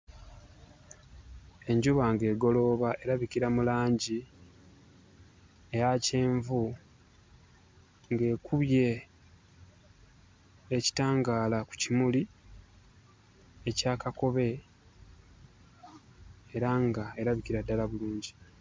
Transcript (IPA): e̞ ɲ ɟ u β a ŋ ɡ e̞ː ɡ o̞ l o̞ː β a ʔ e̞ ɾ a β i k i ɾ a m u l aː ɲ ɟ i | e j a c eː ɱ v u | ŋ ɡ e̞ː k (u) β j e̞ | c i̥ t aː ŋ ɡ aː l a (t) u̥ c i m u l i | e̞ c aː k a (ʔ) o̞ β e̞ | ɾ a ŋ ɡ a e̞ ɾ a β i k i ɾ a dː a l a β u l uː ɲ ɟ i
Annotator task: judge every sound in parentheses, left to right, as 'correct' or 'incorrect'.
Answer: correct, incorrect, incorrect

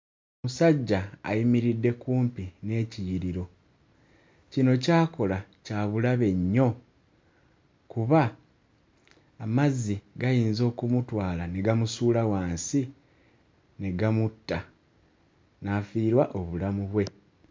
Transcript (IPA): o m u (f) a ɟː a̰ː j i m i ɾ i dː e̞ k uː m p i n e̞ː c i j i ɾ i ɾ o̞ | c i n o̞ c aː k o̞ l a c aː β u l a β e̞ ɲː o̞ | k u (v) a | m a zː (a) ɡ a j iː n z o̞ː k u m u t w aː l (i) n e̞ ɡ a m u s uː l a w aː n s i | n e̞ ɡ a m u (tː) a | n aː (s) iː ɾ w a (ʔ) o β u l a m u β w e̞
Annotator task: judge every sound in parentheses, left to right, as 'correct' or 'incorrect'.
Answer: incorrect, incorrect, incorrect, incorrect, correct, incorrect, correct

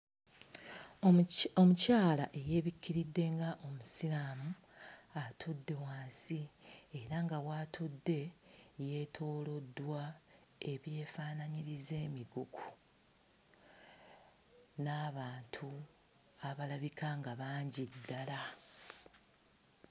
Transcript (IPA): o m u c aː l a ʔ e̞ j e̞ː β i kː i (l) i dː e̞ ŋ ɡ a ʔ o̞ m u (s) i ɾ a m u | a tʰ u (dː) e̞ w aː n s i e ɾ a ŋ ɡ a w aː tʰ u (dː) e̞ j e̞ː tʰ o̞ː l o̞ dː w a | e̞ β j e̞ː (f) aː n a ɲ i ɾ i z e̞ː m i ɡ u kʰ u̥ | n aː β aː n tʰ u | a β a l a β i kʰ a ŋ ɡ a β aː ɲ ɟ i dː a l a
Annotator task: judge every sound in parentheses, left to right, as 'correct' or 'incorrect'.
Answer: incorrect, correct, correct, correct, correct

